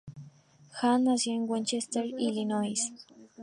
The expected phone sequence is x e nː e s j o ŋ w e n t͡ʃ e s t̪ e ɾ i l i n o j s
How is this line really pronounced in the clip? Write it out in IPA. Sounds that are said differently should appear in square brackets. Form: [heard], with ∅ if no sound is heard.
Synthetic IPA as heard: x [a] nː [a] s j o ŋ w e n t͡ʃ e s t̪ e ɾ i l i n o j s